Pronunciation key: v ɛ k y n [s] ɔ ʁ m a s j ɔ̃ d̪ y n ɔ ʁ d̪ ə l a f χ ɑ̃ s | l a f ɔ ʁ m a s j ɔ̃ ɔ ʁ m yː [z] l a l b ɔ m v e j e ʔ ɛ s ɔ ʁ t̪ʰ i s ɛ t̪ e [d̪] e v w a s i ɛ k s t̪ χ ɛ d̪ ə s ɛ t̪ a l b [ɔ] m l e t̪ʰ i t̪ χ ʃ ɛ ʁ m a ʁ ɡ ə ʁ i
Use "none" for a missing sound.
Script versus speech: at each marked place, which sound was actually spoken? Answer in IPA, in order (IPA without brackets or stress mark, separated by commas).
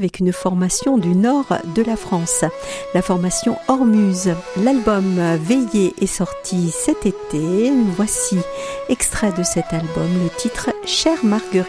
f, z, t̪, ɔ